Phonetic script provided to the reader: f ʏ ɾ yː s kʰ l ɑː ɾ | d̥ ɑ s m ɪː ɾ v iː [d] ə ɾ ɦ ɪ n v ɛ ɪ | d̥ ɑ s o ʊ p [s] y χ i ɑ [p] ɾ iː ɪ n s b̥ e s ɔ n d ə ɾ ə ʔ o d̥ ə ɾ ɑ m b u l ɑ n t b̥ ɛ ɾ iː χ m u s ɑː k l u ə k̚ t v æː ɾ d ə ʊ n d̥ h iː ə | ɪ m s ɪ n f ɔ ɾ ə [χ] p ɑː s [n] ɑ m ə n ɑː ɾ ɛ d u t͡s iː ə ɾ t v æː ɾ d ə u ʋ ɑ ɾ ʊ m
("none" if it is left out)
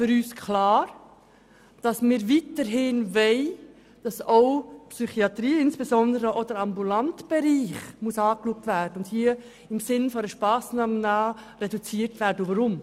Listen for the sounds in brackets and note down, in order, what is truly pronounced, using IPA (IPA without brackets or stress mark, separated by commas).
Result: t, s, t, ʃ, n